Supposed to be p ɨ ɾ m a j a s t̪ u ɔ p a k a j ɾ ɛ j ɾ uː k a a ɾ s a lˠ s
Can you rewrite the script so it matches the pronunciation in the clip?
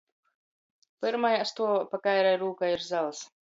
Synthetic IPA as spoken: p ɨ ɾ m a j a s t̪ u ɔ p a k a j ɾ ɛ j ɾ uː k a i ɾ z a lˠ s